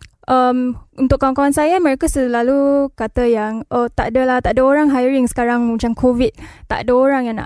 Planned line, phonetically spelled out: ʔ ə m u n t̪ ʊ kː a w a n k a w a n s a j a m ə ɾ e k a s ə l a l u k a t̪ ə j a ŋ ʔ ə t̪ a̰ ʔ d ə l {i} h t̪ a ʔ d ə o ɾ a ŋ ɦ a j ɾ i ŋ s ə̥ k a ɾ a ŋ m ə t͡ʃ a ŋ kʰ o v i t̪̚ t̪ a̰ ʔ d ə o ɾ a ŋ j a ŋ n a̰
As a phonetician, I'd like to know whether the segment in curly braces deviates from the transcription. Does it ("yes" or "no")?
yes